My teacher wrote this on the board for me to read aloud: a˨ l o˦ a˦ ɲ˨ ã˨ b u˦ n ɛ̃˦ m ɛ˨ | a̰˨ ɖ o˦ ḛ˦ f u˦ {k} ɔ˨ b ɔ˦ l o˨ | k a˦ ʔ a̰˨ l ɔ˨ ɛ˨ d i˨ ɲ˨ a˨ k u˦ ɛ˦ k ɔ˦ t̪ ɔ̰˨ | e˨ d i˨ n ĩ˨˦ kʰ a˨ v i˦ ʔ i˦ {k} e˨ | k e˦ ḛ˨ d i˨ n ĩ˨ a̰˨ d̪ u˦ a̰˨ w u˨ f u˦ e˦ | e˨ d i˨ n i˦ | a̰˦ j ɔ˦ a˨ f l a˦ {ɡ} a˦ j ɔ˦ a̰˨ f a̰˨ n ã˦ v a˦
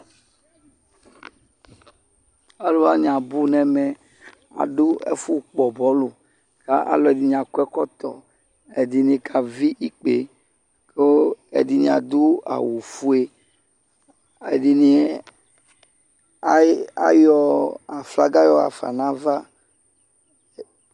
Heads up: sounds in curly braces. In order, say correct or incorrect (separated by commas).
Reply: incorrect, incorrect, correct